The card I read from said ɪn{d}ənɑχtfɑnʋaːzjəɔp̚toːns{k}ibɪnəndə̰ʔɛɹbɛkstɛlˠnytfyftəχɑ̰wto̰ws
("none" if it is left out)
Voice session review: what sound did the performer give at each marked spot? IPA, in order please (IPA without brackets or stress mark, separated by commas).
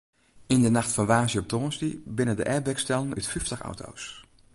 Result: d, t